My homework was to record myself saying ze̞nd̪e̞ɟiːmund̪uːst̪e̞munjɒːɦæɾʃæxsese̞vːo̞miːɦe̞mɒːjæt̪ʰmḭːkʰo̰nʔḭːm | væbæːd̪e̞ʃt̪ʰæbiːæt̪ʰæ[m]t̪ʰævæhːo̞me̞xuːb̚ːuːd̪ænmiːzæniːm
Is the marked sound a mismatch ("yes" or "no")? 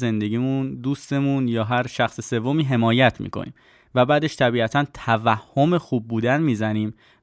yes